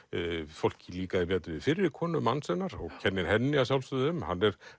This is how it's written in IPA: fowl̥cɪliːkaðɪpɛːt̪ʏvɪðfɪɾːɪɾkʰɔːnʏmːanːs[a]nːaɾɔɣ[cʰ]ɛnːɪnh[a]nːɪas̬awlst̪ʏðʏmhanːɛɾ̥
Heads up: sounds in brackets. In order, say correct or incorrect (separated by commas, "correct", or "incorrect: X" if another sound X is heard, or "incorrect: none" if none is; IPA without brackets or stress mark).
incorrect: ɛ, correct, incorrect: ɛ